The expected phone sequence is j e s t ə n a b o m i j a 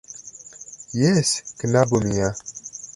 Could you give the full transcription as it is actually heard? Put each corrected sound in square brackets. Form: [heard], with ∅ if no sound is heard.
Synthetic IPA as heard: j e s [k] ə n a b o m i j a